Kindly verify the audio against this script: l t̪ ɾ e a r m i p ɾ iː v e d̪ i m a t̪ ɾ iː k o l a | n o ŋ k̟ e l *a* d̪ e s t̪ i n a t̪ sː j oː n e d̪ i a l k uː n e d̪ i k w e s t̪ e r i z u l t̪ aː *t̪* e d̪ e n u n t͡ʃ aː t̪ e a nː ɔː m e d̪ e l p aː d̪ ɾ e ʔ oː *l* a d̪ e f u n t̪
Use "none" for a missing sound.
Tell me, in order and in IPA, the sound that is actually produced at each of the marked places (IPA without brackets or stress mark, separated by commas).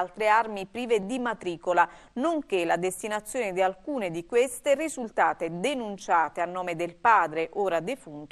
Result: a, t̪, ɾ